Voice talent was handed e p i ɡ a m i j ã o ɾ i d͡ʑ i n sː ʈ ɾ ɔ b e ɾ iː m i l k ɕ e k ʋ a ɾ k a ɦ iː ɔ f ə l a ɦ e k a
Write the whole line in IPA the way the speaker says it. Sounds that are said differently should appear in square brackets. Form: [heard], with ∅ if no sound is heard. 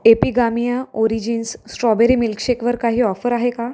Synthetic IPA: e p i ɡ a m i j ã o ɾ i d͡ʑ i n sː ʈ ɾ ɔ b e ɾ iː m i l k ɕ e k ʋ [ə] ɾ k a ɦ iː ɔ f ə [ɾ] a ɦ e k a